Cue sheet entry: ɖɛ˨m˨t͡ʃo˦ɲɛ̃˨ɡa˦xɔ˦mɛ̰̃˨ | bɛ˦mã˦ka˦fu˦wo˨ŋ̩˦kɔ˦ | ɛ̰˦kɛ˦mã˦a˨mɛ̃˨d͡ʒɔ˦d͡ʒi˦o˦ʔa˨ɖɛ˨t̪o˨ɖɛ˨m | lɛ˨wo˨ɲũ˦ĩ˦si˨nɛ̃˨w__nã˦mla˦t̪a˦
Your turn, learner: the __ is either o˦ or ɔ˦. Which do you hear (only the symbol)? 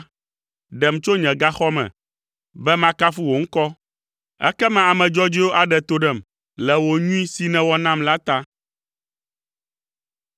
ɔ˦